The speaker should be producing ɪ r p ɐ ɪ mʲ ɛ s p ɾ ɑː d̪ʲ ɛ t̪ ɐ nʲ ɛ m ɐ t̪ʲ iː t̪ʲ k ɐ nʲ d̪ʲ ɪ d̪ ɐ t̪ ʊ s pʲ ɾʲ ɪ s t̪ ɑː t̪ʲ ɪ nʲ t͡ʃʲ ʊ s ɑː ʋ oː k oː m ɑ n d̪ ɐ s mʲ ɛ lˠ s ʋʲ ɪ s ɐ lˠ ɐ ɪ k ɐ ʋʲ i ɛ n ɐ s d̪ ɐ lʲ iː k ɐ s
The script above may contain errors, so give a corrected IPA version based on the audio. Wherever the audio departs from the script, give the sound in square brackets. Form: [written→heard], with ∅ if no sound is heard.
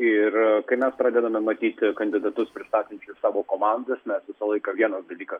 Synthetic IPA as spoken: ɪ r [p→k] ɐ ɪ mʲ ɛ s p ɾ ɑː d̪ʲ ɛ [t̪→d̪] ɐ [nʲ→mʲ] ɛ m ɐ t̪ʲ iː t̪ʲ k ɐ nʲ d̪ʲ ɪ d̪ ɐ t̪ ʊ s pʲ ɾʲ ɪ s t̪ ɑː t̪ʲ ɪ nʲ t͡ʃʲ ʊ s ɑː ʋ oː k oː m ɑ n d̪ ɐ s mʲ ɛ [lˠ→∅] s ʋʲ ɪ s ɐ lˠ ɐ ɪ k ɐ ʋʲ i ɛ n ɐ s d̪ ɐ lʲ iː k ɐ s